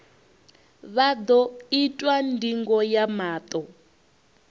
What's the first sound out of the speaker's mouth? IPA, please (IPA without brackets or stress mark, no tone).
β